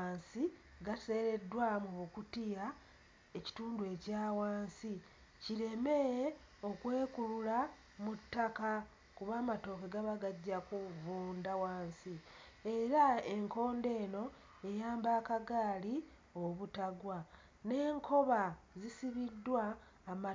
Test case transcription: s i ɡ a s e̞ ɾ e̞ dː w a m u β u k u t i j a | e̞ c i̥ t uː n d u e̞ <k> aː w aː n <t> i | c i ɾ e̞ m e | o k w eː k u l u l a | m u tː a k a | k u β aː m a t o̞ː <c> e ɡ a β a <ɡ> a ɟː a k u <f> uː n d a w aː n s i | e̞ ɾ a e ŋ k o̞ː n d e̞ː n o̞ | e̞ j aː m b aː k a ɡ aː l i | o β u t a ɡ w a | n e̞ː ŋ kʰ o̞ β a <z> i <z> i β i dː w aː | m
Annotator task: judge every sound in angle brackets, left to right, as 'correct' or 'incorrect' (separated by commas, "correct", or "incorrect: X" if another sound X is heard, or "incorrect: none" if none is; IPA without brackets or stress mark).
incorrect: c, incorrect: s, incorrect: k, correct, incorrect: v, correct, incorrect: s